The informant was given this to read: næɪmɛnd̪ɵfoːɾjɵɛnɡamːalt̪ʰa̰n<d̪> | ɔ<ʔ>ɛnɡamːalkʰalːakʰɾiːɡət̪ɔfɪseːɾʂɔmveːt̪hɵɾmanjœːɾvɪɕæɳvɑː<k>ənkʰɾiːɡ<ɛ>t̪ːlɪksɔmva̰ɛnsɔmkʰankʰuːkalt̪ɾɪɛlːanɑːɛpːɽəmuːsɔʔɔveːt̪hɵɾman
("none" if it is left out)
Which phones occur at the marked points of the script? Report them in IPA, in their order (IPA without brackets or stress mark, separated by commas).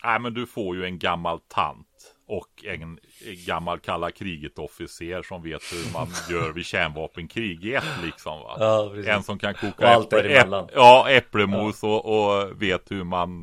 t̪, k, p, ɛ